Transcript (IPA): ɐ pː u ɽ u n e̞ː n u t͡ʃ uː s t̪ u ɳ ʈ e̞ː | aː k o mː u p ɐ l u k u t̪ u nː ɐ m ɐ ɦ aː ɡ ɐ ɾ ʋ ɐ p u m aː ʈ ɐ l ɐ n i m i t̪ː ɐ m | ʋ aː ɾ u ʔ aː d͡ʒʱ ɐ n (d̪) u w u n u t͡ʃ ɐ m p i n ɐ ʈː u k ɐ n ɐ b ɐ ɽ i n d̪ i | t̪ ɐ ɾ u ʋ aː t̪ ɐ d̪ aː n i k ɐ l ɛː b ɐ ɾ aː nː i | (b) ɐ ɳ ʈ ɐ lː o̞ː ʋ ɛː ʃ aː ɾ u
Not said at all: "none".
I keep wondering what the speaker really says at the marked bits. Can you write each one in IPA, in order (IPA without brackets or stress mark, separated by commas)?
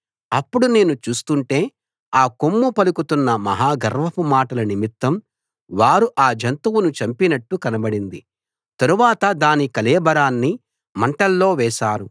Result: t̪, m